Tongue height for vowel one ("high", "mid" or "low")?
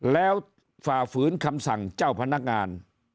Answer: mid